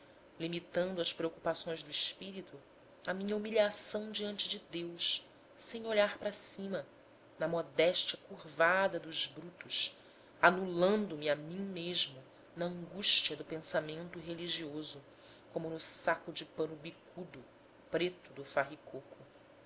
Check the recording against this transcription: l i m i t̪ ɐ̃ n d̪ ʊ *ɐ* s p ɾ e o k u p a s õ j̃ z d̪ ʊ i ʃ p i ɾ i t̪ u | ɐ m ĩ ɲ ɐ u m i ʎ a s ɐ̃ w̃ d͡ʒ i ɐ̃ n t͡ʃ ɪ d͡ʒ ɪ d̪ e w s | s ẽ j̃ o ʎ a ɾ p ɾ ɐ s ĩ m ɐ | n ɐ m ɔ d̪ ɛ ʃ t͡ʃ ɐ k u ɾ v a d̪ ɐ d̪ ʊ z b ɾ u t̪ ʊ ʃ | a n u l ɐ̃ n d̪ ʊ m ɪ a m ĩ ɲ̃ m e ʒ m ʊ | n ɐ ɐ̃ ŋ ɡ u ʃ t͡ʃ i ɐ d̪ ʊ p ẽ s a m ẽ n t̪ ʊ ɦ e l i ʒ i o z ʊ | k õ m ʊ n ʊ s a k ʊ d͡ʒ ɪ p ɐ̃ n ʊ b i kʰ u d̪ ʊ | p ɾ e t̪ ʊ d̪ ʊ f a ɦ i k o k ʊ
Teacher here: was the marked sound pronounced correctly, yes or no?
yes